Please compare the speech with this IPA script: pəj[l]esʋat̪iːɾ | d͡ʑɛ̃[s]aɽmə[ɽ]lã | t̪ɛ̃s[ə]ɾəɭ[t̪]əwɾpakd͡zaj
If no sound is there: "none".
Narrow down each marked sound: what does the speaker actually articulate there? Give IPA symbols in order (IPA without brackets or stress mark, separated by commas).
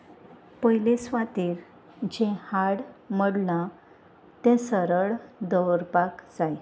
l, h, ɽ, ə, d̪